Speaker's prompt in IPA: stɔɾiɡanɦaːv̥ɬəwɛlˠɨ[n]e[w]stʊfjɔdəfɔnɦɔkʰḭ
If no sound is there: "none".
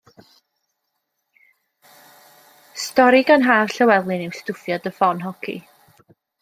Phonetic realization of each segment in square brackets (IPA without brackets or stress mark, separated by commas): n, w